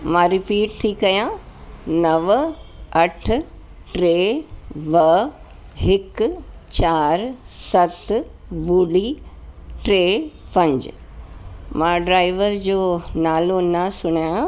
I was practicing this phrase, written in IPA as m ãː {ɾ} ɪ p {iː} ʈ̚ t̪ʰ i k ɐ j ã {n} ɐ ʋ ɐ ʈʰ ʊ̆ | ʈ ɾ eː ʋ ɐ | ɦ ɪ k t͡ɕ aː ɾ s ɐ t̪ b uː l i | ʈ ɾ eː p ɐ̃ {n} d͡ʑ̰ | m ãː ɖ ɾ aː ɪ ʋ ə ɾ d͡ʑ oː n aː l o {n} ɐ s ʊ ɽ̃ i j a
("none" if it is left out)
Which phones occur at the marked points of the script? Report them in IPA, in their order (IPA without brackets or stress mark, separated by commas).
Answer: ɾ, iː, n, ɲ, n